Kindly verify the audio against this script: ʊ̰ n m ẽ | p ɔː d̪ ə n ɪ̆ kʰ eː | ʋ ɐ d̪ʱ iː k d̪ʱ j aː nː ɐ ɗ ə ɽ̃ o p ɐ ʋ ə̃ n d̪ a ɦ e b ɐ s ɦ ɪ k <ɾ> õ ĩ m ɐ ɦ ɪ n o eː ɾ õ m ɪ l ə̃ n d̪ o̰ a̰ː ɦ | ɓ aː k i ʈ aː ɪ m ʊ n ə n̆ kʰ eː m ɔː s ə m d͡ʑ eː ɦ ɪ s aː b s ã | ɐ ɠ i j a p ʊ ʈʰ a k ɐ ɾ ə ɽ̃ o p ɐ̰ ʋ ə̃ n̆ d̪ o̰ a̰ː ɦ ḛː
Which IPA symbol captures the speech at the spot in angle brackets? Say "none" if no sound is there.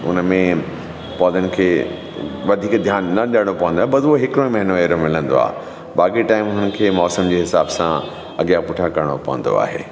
ɾ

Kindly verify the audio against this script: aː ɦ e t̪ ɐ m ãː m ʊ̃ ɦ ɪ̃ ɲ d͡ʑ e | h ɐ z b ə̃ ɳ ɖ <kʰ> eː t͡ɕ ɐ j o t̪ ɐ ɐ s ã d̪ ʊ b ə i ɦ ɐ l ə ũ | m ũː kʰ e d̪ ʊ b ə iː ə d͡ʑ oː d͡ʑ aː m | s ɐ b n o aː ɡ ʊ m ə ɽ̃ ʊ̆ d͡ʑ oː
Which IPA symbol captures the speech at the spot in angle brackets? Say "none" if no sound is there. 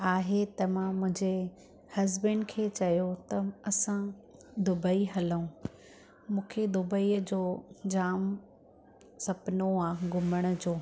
kʰ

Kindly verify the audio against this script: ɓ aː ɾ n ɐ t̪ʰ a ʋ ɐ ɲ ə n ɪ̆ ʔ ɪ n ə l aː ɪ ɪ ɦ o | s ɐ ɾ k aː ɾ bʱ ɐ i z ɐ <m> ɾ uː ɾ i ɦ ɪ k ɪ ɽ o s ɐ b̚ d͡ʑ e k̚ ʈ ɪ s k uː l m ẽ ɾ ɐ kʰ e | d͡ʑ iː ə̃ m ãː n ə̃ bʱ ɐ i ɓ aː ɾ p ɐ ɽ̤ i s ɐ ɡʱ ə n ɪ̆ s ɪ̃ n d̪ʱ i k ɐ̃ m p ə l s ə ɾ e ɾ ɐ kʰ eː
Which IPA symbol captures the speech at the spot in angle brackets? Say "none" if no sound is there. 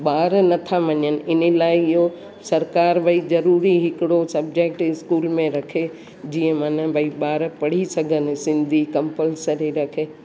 none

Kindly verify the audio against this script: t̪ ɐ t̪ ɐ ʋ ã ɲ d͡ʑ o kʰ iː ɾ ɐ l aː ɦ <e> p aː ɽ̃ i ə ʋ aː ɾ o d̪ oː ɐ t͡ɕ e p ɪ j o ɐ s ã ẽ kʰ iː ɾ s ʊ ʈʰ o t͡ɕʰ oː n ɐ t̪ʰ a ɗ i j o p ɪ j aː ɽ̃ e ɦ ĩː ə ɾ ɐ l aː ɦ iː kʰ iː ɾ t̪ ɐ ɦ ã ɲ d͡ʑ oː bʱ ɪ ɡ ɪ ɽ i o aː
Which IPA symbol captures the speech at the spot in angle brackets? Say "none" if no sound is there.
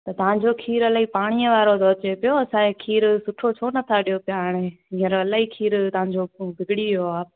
i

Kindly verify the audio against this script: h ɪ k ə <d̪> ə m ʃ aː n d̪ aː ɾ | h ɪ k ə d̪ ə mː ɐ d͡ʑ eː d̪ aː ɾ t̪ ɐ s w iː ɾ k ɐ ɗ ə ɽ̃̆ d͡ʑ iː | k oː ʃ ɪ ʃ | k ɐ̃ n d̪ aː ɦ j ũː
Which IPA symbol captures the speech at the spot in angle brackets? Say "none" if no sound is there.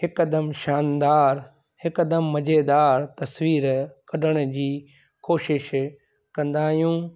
d̪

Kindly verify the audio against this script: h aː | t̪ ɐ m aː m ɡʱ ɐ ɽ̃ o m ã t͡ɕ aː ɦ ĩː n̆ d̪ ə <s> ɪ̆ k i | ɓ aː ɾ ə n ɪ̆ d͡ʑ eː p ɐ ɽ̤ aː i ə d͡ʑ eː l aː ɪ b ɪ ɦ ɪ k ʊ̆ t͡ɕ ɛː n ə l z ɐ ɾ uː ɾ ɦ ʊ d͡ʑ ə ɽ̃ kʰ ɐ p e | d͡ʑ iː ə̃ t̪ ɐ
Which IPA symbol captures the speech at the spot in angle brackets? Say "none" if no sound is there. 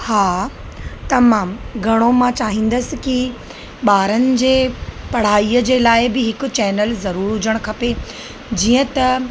s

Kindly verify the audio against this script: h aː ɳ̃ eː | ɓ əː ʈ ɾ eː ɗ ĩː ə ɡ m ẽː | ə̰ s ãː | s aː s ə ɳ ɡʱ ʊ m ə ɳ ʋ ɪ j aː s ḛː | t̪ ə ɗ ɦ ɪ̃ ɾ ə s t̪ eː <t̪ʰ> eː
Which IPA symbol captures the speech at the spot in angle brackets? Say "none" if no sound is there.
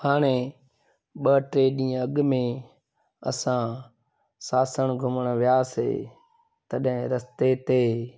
t̪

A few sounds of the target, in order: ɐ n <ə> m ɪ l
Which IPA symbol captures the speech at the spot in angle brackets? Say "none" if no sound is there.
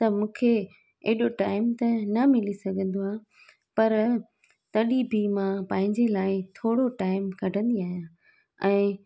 ɐ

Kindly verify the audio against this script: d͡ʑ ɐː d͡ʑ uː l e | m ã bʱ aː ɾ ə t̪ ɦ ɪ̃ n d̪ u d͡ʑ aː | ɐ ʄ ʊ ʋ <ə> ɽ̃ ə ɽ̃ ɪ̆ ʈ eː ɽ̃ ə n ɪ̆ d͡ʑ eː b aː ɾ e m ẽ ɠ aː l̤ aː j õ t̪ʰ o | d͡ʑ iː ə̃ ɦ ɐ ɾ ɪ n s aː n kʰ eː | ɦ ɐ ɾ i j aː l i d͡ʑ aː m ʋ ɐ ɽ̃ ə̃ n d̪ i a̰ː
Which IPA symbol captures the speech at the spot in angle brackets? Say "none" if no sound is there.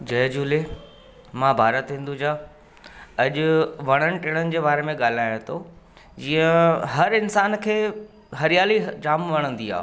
ɐ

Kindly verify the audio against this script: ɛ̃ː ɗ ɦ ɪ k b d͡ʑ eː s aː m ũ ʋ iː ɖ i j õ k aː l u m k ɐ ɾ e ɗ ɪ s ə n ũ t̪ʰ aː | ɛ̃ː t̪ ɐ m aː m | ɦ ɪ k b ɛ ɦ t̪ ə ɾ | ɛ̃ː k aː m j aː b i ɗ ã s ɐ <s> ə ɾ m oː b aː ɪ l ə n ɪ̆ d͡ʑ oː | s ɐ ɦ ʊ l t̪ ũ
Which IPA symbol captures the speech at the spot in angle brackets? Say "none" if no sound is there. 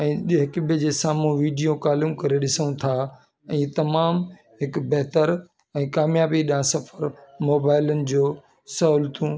f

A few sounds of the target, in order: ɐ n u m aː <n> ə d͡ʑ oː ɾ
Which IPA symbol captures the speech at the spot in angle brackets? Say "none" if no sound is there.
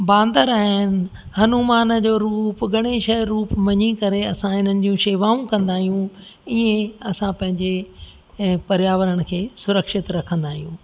n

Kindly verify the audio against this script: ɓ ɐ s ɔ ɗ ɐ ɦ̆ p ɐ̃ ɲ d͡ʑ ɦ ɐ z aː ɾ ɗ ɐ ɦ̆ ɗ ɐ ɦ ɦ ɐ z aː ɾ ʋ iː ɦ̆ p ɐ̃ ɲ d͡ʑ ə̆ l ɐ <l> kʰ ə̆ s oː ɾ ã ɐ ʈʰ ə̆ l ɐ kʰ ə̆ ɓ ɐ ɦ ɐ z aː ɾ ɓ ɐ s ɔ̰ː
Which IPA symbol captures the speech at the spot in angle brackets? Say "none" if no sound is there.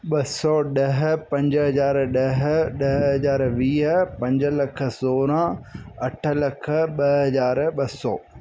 none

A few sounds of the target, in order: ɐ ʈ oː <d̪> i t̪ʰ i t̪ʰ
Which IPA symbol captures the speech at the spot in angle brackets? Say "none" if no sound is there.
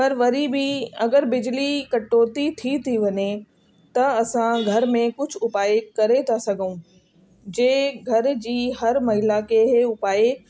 t̪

